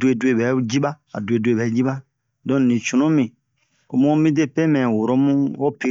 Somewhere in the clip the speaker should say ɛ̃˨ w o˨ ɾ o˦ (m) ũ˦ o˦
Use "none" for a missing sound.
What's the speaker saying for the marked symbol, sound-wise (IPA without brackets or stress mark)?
m